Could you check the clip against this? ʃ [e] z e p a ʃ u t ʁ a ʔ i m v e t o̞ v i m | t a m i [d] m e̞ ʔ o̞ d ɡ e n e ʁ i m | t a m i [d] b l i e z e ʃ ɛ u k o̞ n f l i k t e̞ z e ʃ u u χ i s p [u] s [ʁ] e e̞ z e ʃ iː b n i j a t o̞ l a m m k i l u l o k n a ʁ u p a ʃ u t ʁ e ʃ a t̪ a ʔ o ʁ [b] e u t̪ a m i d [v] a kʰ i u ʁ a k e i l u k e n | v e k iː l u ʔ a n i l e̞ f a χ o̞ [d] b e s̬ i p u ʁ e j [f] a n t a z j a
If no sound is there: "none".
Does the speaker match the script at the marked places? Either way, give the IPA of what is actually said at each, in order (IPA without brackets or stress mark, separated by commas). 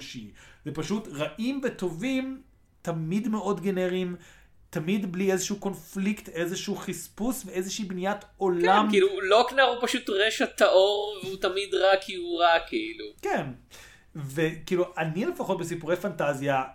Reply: i, d, d, u, v, v, ʁ, t, f